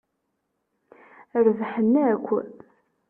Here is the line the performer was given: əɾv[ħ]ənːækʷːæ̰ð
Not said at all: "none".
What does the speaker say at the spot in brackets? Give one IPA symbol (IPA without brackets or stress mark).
ħ